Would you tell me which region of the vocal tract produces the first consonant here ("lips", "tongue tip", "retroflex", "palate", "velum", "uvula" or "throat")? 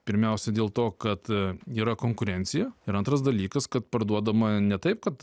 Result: lips